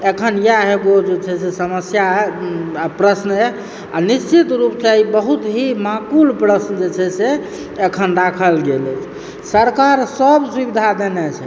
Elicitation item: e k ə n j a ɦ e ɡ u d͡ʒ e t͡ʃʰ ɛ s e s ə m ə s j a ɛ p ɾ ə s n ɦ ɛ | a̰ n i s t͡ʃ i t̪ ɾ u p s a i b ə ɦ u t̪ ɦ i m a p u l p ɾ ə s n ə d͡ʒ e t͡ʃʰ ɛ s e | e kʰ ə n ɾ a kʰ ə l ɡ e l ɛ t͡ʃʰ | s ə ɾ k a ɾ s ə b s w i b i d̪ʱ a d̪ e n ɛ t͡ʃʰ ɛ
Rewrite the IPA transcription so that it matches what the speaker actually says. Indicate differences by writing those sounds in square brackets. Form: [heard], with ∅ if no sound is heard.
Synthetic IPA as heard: e [kʰ] ə n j a ɦ e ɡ [o] d͡ʒ e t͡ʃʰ ɛ s e s ə m ə s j a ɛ p ɾ ə s n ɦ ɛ | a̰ n i s t͡ʃ i t̪ ɾ u p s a i b ə ɦ u t̪ ɦ i m a [k] u l p ɾ ə s n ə d͡ʒ e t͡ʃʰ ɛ s e | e kʰ ə n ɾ a kʰ ə l ɡ e l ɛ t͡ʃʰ | s ə ɾ k a ɾ s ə b s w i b i d̪ʱ a d̪ e n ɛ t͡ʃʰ ɛ

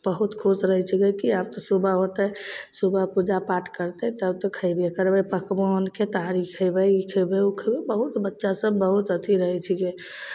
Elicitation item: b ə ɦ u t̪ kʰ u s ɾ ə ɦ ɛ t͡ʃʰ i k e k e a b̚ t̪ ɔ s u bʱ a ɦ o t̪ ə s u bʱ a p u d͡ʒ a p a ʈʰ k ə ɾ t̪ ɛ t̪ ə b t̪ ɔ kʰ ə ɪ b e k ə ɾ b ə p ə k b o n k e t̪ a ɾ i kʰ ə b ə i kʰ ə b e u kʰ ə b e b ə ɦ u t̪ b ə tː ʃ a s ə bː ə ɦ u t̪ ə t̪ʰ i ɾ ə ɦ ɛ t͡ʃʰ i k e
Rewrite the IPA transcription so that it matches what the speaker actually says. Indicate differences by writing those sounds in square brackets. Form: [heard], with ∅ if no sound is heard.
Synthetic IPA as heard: b ə ɦ u t̪ kʰ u s ɾ ə ɦ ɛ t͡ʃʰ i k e k [i] a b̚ t̪ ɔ s u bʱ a ɦ o t̪ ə s u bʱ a p u d͡ʒ a p a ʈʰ k ə ɾ t̪ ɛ t̪ ə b t̪ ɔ kʰ ə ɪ b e k ə ɾ b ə p ə k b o n k e t̪ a ɾ i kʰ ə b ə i kʰ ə b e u kʰ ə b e b ə ɦ u t̪ b ə tː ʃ a s ə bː ə ɦ u t̪ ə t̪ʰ i ɾ ə ɦ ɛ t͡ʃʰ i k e

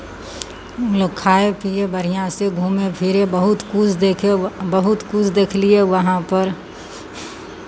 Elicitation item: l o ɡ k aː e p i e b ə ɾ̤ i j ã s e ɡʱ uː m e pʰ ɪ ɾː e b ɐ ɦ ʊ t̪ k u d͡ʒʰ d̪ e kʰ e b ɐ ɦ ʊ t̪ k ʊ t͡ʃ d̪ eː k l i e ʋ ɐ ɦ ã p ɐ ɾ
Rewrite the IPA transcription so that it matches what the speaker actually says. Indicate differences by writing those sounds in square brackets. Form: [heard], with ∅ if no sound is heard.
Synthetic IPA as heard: l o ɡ [kʰ] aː e p i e b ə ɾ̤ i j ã s e ɡʱ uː m e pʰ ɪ [ɾ] e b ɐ ɦ ʊ t̪ k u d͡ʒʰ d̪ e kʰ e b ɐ ɦ ʊ t̪ k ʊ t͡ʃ d̪ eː [kʰ] l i e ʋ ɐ ɦ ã p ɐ ɾ

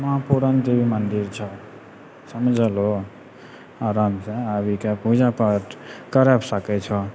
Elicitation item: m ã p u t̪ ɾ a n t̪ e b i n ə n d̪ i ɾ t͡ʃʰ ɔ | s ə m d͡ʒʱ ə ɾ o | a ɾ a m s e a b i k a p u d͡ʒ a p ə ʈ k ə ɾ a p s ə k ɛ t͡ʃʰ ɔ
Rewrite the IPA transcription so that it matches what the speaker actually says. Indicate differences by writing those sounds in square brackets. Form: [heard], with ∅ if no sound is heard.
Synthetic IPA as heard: m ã p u [∅] ɾ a n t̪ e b i [m] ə n d̪ i ɾ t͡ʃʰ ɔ | s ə m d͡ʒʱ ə [l] o | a ɾ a m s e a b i k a p u d͡ʒ a p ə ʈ k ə ɾ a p s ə k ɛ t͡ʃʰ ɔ

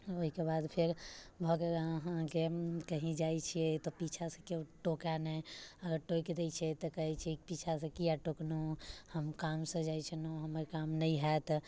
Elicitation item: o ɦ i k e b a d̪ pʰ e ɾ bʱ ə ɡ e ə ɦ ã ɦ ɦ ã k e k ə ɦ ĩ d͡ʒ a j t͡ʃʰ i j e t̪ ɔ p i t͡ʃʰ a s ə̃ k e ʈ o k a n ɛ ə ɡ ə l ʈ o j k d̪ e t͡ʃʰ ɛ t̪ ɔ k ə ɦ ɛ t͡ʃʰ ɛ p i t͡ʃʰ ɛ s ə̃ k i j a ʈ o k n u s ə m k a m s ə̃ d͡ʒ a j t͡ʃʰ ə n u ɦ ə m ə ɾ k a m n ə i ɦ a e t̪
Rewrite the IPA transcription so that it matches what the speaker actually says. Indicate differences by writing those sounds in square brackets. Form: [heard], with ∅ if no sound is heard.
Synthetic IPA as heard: o ɦ i k e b a d̪ pʰ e ɾ bʱ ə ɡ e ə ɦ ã ɦ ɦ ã k e k ə ɦ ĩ d͡ʒ a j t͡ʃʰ i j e t̪ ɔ p i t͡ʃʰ a s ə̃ k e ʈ o k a n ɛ ə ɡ ə [ɾ] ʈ o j k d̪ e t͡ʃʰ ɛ t̪ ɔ k ə ɦ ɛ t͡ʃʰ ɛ p i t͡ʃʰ [a] s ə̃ k i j a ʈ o k n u [h] ə m k a m s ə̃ d͡ʒ a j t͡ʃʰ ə n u ɦ ə m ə ɾ k a m n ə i ɦ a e t̪

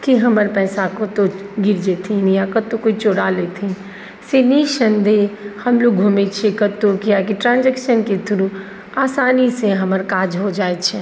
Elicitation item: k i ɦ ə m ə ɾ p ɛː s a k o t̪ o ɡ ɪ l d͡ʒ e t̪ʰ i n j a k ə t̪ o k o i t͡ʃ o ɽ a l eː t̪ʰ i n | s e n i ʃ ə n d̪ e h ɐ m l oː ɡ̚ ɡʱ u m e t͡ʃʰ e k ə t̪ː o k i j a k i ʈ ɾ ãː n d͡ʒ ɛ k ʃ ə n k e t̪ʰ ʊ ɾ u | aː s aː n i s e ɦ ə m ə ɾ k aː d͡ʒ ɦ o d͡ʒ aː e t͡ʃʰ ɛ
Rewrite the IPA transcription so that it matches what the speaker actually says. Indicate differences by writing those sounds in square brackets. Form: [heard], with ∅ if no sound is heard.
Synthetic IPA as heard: k i ɦ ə m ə ɾ p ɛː s a k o t̪ o ɡ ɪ [ɾ] d͡ʒ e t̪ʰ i n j a k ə t̪ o k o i t͡ʃ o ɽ a l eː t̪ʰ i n | s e n i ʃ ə n d̪ e h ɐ m l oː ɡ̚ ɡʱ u m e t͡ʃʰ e k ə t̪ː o k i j a k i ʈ ɾ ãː n d͡ʒ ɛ k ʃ ə n k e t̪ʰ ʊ ɾ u | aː s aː n i s e ɦ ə m ə ɾ k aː d͡ʒ ɦ o d͡ʒ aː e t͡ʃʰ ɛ

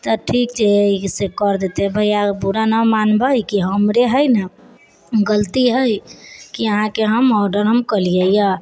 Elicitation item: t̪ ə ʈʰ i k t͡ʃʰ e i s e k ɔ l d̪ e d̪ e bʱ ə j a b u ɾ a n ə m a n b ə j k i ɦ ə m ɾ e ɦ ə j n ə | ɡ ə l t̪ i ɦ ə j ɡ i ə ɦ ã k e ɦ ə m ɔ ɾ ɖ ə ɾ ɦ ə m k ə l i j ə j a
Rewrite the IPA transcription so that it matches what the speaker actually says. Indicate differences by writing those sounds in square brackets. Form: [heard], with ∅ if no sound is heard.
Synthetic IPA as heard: t̪ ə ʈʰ i k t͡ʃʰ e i s e k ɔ [ɾ] d̪ e [t̪] e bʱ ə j a b u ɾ a n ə m a n b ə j k i ɦ ə m ɾ e ɦ ə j n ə | ɡ ə l t̪ i ɦ ə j [k] i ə ɦ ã k e ɦ ə m ɔ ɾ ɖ ə ɾ ɦ ə m k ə l i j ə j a

